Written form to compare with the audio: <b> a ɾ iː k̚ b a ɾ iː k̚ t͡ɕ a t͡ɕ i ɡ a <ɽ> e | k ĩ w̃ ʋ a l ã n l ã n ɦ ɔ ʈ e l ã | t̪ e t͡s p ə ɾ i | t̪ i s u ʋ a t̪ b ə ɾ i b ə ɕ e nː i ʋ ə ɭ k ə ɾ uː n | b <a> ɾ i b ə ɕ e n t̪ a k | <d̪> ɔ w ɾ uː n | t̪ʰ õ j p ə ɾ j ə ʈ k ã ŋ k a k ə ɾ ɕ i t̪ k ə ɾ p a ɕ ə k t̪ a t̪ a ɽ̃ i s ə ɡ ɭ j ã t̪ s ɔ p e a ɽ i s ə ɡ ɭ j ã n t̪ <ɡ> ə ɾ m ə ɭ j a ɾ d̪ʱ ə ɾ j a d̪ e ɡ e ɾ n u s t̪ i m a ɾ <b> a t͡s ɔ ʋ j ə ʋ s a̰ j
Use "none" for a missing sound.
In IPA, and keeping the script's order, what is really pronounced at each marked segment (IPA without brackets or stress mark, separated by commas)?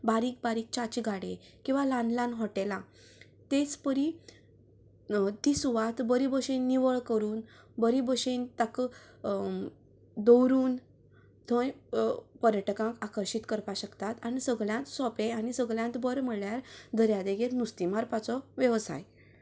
b, ɽ, ə, d̪, b, p